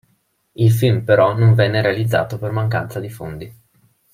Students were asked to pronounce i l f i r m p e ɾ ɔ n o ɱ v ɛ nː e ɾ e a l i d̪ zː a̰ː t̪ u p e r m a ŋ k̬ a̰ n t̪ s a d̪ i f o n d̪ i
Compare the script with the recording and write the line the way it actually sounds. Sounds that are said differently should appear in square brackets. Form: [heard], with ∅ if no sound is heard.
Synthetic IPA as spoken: i l f i [l] m p e ɾ ɔ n o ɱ v ɛ nː e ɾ e a l i d̪ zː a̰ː t̪ [o] p e r m a ŋ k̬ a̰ n t̪ s a d̪ i f o n d̪ i